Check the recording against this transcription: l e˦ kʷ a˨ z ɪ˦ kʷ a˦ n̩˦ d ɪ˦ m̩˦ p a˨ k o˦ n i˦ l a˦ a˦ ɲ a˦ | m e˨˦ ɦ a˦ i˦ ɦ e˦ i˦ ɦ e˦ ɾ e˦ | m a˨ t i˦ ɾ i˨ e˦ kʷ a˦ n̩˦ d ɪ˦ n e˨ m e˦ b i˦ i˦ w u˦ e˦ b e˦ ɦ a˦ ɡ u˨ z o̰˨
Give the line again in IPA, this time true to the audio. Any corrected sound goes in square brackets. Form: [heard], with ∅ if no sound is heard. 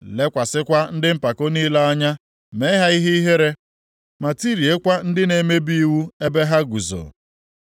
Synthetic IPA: l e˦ kʷ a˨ [s] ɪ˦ kʷ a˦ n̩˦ d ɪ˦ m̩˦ p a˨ k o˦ n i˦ l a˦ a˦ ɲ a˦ | m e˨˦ ɦ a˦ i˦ ɦ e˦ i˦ ɦ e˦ ɾ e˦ | m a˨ t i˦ ɾ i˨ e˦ kʷ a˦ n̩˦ d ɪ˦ n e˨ m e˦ b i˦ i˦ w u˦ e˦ b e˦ ɦ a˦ ɡ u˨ z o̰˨

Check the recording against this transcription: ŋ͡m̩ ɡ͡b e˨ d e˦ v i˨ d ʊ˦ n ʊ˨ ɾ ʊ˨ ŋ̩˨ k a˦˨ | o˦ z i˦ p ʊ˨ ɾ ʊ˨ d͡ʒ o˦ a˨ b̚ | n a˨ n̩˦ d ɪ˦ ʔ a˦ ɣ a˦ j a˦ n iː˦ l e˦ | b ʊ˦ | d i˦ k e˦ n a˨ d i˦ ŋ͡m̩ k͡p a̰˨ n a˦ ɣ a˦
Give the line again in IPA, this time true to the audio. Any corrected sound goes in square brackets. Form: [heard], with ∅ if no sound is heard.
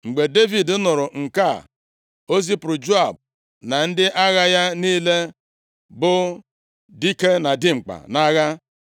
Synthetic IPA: ŋ͡m̩ ɡ͡b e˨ d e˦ v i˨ d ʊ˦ n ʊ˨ ɾ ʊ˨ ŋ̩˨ k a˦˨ | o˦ z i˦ p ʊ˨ ɾ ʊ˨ d͡ʒ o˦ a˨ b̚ | n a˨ n̩˦ d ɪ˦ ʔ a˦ ɣ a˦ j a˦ n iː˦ l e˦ | b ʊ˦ | d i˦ k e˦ n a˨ d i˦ ŋ͡m̩ k͡p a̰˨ n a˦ ɣ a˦

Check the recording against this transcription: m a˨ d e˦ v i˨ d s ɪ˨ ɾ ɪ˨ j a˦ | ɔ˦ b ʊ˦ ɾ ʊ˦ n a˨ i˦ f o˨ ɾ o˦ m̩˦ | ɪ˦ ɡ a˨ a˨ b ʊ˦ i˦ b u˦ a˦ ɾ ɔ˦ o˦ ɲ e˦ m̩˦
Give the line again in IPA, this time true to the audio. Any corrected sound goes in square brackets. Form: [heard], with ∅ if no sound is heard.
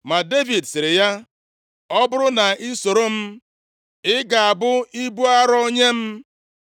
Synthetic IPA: m a˨ d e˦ v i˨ d s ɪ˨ ɾ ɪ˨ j a˦ | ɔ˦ b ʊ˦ ɾ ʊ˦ n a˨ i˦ [s] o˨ ɾ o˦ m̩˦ | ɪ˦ ɡ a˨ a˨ b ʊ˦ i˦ b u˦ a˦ ɾ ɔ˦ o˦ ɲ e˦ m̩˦

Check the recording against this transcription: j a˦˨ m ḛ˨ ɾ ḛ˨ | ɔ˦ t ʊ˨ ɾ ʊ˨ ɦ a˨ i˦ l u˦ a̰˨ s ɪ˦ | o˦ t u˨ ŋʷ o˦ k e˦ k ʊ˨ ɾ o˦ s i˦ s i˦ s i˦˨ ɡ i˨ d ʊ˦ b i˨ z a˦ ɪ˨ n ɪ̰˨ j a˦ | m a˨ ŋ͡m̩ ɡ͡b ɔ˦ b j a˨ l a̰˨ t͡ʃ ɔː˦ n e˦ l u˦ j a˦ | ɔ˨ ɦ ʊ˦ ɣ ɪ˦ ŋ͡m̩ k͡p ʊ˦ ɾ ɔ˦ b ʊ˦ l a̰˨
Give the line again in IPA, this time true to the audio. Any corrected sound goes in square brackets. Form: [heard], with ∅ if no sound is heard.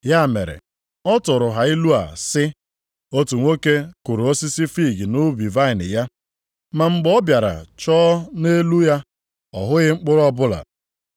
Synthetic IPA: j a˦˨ m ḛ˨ ɾ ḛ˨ | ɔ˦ t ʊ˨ ɾ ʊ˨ ɦ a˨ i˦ l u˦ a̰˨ s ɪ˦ | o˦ t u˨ ŋʷ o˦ k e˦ k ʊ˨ ɾ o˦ s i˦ s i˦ [f] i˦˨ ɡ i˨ [n] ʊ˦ b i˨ [v] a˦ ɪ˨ n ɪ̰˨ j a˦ | m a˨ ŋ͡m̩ ɡ͡b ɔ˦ b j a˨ [ɾ] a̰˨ t͡ʃ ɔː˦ n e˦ l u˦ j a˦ | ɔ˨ ɦ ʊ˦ ɣ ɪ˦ ŋ͡m̩ k͡p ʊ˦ ɾ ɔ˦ b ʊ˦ l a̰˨

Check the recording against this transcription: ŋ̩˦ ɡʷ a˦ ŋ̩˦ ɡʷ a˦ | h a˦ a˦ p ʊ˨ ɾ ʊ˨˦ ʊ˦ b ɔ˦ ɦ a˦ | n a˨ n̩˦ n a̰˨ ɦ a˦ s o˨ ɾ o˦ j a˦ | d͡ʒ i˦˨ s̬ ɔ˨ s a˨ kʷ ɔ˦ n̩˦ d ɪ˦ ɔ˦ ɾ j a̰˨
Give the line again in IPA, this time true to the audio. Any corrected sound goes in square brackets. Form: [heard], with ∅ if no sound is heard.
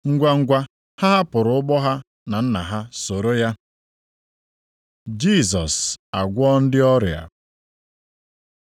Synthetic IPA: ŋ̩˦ ɡʷ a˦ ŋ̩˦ ɡʷ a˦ | h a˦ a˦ p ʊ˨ ɾ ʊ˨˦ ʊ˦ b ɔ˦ ɦ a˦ | n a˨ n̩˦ n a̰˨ ɦ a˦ s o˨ ɾ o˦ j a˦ | d͡ʒ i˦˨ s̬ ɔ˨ s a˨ [ɡʷ] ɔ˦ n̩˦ d ɪ˦ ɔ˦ ɾ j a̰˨

